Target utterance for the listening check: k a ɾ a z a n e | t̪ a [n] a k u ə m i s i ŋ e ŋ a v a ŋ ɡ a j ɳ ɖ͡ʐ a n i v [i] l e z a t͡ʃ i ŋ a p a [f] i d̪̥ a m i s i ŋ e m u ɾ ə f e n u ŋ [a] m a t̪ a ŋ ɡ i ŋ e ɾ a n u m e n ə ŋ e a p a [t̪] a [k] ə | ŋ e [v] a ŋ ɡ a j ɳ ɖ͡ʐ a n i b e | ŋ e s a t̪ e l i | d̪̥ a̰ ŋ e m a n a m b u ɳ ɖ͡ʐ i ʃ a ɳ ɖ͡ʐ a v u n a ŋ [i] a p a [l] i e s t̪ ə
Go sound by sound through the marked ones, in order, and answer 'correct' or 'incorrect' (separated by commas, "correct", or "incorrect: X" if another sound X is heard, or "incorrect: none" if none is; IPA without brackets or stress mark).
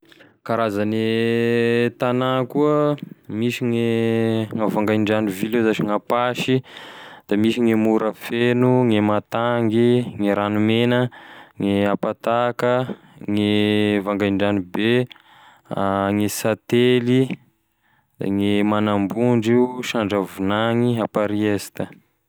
correct, correct, incorrect: ʃ, incorrect: e, correct, correct, correct, correct, incorrect: ɾ